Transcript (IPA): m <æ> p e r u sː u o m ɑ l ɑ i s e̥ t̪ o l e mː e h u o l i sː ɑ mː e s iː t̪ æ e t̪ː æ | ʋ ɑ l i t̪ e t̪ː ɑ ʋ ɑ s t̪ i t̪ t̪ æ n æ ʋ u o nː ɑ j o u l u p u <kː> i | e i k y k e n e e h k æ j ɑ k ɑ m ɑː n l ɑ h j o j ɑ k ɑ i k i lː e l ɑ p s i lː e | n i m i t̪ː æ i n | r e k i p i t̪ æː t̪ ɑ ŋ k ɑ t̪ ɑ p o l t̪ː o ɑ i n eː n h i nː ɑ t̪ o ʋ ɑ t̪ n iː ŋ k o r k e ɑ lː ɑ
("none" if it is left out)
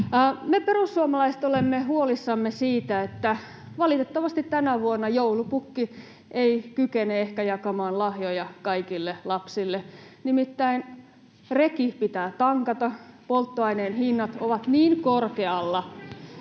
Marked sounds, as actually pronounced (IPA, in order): e, kː

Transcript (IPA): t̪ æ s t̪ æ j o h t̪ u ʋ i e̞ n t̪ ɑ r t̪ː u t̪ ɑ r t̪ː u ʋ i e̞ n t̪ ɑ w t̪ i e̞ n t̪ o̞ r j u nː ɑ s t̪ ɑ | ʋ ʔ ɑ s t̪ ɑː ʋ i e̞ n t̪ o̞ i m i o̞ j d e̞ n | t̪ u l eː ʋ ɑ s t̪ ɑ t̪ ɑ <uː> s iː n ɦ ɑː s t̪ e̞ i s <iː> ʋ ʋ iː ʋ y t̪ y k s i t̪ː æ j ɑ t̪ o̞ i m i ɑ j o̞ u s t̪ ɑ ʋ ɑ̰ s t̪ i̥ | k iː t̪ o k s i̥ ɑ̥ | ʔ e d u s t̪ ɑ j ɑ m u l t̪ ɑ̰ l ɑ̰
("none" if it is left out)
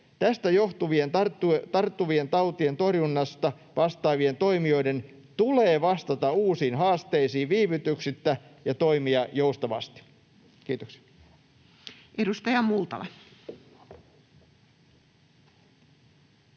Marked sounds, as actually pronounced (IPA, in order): uː, iː

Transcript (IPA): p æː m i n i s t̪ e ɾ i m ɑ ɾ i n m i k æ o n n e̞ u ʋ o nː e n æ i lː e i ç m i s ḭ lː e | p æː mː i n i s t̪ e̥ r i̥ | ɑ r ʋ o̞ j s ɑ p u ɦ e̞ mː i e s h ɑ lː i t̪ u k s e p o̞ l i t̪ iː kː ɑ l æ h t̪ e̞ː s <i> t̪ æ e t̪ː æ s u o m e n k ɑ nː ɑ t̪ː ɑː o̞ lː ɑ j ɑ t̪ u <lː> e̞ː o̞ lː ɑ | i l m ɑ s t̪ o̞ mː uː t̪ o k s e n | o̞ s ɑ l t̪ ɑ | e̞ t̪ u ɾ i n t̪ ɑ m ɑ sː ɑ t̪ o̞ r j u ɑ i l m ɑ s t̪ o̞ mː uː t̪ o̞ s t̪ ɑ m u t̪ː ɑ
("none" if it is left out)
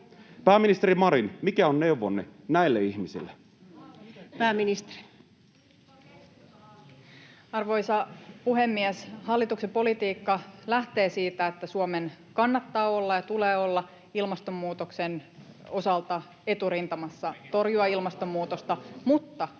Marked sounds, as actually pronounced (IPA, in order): iː, l

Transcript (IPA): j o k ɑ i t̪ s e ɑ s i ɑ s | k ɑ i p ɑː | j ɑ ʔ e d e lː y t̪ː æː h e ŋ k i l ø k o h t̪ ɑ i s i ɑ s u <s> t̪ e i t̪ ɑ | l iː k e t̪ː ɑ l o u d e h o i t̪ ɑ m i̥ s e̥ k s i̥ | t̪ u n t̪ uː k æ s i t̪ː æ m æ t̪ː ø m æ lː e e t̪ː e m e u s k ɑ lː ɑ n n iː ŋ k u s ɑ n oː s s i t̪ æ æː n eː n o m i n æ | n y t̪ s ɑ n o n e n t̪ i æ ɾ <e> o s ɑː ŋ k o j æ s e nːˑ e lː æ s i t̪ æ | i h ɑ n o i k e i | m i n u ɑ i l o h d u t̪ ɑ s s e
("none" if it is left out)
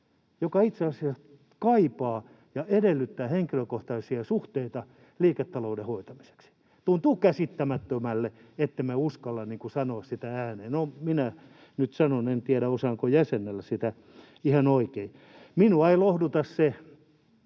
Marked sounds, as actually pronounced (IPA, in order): h, æ

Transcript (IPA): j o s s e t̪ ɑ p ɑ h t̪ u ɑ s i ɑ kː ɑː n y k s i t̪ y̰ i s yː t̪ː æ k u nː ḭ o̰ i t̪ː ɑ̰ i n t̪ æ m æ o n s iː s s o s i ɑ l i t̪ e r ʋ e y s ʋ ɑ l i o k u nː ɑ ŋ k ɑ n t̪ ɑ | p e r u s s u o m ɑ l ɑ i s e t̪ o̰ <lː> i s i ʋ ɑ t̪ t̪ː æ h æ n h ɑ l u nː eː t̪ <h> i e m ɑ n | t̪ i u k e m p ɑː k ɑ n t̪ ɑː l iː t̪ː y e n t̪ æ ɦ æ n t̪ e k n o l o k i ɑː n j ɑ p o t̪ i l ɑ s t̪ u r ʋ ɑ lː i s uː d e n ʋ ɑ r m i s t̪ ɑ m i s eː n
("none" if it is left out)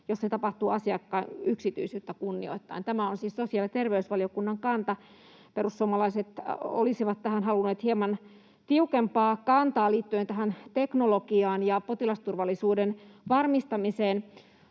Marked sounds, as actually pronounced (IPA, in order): l, h

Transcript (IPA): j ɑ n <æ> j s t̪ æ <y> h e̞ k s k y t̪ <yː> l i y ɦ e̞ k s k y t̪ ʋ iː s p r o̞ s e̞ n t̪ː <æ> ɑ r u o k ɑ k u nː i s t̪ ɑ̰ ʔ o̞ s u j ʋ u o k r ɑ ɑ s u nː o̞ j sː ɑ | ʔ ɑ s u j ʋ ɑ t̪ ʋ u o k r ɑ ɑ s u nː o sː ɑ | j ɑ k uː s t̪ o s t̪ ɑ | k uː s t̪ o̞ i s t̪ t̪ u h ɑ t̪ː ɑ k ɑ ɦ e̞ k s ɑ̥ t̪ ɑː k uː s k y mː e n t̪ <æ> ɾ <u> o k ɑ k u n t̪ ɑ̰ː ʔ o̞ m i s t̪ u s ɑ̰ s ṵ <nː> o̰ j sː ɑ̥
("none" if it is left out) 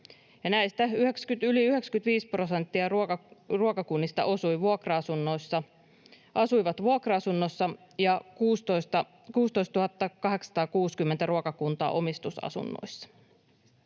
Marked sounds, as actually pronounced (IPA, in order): æ, y, y, i, æ, u, nː

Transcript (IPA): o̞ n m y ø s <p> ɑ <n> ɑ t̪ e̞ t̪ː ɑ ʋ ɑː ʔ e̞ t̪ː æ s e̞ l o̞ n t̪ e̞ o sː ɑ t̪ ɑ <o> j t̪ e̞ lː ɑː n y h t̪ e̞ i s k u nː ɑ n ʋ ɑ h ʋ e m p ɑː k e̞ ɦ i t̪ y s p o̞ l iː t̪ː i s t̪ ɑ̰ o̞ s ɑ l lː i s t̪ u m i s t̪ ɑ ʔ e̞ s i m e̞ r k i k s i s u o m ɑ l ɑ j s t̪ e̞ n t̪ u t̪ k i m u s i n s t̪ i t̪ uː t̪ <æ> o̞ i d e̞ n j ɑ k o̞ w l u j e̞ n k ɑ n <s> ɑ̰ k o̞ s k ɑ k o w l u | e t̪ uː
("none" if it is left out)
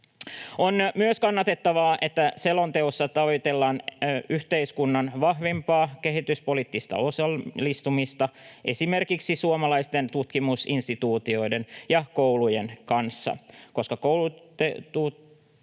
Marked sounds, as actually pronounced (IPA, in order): k, nː, o, i, sː

